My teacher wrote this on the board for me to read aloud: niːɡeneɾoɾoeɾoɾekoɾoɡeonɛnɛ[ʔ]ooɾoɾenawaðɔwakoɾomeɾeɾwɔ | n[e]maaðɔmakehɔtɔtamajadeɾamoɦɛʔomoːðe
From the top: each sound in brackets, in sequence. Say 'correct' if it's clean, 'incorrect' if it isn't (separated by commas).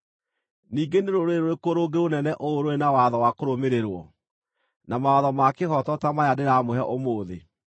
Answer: correct, incorrect